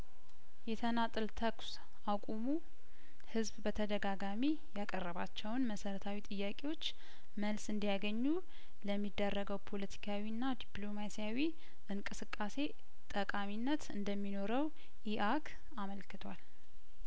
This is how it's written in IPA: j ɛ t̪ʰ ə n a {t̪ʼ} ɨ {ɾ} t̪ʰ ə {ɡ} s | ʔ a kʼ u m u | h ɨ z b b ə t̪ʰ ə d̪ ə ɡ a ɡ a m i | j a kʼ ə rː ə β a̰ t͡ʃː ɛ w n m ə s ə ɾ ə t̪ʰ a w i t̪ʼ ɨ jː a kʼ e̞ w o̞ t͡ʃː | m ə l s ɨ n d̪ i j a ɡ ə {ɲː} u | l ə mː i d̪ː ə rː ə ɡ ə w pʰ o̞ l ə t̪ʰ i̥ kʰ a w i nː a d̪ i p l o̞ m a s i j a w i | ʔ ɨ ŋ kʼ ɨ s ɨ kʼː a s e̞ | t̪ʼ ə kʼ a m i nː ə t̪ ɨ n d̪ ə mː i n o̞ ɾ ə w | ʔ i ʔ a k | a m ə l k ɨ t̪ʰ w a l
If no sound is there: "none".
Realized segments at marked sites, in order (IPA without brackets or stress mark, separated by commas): t̪ʼ, l, k, ɲː